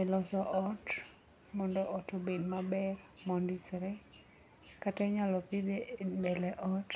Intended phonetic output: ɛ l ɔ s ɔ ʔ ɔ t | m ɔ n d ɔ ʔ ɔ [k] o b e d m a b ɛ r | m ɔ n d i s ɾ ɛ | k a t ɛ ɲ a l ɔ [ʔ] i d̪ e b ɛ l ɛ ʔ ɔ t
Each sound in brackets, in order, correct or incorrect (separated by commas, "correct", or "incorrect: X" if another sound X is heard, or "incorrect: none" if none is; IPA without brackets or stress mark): incorrect: t, incorrect: p